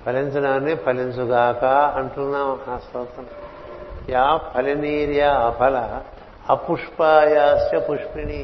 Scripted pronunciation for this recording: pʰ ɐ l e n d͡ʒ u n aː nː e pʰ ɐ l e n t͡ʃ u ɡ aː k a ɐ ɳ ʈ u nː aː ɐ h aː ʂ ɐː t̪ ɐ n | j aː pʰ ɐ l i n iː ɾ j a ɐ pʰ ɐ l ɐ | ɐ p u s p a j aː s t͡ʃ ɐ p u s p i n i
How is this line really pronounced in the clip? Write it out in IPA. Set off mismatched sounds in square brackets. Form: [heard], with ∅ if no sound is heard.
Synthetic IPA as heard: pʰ ɐ l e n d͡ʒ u n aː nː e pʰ ɐ l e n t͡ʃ u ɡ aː k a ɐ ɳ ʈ u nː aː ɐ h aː [s] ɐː t̪ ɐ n | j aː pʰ ɐ l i n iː ɾ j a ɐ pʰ ɐ l ɐ | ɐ p u [ʂ] p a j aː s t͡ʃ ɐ p u [ʂ] p i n i